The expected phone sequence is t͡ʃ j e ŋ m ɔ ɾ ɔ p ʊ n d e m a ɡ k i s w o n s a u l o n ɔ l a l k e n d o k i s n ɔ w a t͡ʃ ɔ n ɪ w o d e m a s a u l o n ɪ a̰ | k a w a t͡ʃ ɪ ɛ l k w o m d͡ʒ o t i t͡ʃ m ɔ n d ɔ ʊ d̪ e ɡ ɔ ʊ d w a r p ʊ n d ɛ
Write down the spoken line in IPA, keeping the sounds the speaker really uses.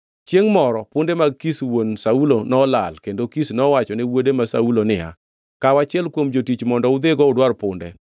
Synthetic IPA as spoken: t͡ʃ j e ŋ m ɔ ɾ ɔ p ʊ n d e m a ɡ k i s w o n s a u l o n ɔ l a l k e n d o k i s n ɔ w a t͡ʃ ɔ n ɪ w o d e m a s a u l o n ɪ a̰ | k a w a t͡ʃ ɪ ɛ l k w o m d͡ʒ o t i t͡ʃ m ɔ n d ɔ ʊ d̪ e ɡ ɔ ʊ d w a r p ʊ n d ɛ

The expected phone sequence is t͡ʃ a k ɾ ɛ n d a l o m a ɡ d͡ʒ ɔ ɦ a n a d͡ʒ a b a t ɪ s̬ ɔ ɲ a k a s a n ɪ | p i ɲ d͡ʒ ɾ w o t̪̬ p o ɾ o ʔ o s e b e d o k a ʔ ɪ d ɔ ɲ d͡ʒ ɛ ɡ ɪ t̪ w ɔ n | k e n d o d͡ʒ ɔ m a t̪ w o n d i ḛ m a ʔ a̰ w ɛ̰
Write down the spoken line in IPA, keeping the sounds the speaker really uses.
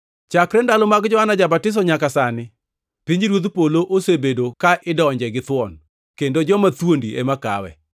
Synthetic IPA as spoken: t͡ʃ a k ɾ ɛ n d a l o m a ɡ d͡ʒ ɔ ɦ a n a d͡ʒ a b a t ɪ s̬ ɔ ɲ a k a s a n ɪ | p i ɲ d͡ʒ ɾ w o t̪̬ p o l o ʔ o s e b e d o k a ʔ ɪ d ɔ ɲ d͡ʒ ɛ ɡ ɪ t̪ w ɔ n | k e n d o d͡ʒ ɔ m a t̪ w o n d i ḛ m a k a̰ w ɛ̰

